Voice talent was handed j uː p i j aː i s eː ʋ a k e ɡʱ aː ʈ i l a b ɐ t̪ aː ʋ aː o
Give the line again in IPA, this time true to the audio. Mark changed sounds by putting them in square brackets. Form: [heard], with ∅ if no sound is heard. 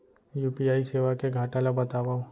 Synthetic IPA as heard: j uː p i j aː i s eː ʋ a k e ɡʱ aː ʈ [a] l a b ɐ t̪ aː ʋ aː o